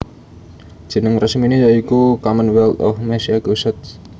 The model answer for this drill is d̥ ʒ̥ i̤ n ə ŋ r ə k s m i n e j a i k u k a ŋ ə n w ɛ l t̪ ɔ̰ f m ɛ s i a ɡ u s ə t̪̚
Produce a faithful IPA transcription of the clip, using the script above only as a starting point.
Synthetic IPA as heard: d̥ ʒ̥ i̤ n ə ŋ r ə s m i n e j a i k u k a m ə n w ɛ l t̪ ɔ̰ f m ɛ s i a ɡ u s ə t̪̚